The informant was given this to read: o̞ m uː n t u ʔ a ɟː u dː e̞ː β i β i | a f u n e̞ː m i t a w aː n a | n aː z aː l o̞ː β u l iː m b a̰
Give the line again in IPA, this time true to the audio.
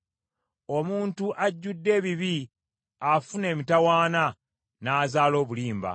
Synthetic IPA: o̞ m uː n t u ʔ a ɟː u dː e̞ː β i β i | a f u n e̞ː m i t a w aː n a | n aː z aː l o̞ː β u l iː m b a̰